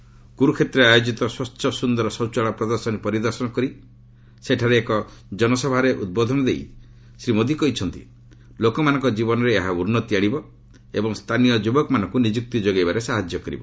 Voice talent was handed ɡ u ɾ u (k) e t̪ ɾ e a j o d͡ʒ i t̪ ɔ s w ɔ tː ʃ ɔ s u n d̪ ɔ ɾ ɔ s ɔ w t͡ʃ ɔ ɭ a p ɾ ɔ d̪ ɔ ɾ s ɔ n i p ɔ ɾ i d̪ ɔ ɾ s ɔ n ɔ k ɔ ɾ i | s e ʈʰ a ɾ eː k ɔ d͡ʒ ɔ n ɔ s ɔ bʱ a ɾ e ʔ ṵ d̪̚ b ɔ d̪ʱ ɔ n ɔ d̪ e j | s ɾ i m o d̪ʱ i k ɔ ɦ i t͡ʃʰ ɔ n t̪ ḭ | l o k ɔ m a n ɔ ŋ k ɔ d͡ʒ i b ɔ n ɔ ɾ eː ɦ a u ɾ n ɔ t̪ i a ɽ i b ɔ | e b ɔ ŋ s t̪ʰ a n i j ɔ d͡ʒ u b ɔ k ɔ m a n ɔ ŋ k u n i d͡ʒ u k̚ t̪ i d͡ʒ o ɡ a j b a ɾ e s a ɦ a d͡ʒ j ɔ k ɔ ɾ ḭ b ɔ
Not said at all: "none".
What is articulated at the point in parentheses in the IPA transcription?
kʰ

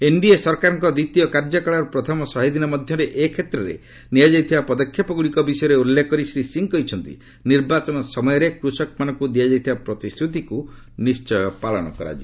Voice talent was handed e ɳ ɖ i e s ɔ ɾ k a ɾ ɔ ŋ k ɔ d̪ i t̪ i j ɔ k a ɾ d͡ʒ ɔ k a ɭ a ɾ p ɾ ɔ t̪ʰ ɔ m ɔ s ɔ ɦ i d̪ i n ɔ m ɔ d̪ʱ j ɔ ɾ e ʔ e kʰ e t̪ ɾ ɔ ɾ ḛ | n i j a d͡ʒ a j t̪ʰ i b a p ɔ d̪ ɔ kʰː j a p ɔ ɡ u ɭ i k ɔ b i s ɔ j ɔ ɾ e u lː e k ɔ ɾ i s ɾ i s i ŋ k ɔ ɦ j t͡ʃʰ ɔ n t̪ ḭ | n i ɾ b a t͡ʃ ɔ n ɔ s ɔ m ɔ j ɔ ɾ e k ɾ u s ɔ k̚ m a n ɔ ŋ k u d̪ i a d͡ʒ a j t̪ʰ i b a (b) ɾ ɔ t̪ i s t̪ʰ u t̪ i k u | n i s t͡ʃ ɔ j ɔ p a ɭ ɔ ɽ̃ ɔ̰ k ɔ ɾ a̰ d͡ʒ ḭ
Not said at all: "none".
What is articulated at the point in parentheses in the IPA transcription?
p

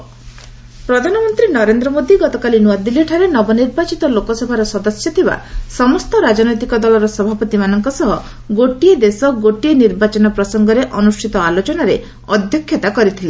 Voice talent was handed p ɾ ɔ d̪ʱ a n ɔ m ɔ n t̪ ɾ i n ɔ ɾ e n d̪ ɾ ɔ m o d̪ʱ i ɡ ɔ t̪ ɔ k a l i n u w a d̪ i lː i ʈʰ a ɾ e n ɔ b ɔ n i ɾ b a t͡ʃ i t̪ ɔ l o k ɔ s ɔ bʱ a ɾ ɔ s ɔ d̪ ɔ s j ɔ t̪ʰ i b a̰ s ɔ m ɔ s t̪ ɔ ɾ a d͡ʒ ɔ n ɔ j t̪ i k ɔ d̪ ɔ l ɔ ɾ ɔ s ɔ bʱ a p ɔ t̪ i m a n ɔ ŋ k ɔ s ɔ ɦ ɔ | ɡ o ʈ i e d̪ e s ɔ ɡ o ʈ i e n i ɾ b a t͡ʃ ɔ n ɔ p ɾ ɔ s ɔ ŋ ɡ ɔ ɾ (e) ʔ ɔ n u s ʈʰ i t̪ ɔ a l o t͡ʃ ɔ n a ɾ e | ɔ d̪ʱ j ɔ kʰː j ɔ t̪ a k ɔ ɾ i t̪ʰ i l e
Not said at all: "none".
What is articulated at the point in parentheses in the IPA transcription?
e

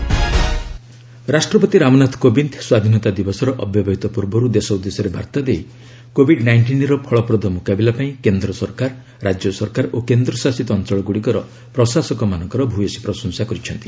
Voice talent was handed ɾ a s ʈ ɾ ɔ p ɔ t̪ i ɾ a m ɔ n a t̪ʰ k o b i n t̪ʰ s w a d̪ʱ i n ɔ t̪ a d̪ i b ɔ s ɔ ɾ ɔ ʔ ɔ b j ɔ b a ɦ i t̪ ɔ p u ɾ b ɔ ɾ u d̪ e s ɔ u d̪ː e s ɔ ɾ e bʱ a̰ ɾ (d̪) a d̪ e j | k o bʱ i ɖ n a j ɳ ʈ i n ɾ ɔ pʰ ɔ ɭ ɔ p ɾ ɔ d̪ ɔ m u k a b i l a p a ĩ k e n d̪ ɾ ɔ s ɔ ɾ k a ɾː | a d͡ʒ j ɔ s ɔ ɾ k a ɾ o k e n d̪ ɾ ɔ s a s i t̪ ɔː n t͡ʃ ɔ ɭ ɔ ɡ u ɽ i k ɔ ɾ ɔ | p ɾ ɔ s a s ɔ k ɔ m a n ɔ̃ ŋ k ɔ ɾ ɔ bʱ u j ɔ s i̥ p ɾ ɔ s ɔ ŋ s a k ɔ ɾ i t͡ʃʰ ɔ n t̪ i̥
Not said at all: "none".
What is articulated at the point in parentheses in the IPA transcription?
t̪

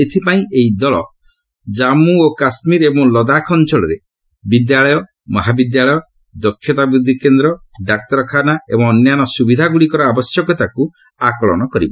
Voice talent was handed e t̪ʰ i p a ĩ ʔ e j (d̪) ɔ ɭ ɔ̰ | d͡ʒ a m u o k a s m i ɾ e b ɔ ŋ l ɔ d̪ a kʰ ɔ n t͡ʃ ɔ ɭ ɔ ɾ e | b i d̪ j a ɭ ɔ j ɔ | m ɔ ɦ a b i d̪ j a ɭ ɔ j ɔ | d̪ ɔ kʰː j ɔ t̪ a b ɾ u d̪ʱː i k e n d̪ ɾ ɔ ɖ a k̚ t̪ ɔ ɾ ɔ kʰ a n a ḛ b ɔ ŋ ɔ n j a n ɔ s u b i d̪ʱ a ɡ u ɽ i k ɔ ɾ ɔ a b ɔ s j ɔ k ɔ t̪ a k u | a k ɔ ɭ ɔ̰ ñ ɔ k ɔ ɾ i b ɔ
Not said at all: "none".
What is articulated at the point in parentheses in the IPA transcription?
d̪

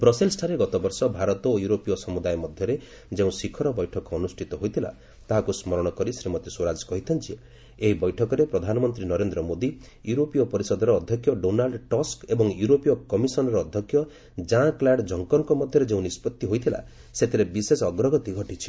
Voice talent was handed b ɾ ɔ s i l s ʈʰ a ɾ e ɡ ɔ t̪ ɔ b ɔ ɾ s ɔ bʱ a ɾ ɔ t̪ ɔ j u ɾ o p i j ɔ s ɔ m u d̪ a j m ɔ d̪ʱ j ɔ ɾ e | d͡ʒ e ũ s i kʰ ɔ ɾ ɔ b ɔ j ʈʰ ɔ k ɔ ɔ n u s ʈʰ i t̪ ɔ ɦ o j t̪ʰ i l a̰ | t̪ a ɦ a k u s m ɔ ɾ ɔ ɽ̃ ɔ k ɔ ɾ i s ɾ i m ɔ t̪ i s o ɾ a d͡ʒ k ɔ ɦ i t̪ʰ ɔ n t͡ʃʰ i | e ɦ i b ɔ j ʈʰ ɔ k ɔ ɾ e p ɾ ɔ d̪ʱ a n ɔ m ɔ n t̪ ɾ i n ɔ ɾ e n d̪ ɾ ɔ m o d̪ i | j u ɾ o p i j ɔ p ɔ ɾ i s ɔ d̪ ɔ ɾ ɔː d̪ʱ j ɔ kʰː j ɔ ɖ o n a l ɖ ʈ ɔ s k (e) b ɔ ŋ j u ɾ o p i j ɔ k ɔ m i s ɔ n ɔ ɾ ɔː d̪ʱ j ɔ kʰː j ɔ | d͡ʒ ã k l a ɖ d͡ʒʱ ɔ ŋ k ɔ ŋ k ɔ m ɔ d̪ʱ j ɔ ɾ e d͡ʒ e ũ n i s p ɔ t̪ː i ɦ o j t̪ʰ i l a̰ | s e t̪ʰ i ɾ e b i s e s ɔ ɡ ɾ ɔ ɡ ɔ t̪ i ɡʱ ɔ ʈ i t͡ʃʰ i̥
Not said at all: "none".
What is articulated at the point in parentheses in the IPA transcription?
e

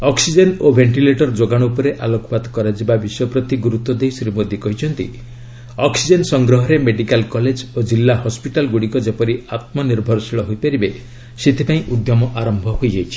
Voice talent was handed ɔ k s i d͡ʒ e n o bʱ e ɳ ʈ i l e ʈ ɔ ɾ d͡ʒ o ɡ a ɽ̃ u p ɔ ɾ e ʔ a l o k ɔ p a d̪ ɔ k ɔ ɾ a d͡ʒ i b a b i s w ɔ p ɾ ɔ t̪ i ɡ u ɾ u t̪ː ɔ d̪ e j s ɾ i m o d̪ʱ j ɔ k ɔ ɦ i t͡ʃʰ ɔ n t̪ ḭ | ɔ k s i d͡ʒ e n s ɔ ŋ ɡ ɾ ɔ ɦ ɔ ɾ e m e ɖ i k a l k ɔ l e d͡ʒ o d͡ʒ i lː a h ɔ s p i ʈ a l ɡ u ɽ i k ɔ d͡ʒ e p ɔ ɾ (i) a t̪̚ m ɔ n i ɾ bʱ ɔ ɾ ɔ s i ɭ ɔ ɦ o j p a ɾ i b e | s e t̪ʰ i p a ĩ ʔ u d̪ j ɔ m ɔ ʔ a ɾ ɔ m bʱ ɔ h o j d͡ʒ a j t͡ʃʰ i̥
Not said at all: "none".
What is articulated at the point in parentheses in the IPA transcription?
i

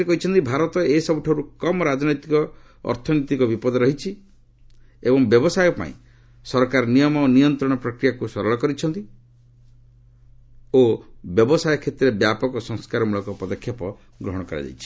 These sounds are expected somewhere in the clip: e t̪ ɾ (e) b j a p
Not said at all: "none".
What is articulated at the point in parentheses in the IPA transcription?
e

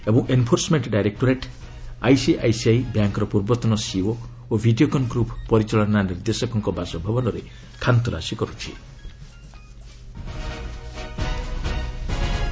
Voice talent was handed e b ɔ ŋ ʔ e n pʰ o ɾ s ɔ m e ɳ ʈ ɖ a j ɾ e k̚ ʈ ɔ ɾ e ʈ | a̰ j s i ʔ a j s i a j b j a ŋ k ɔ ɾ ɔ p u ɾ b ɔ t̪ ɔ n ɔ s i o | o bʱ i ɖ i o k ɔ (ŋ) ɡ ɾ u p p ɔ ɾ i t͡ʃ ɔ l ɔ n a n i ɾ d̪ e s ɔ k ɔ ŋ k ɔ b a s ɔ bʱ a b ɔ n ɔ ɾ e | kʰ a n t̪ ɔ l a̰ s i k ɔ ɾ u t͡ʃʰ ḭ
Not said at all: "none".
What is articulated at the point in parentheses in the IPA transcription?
n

